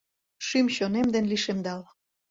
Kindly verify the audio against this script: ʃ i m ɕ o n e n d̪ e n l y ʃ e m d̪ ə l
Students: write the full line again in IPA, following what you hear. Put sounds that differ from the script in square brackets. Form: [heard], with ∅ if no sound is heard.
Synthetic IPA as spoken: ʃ [y] m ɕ o n e [m] d̪ e n l [i] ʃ e m d̪ [ɑ] l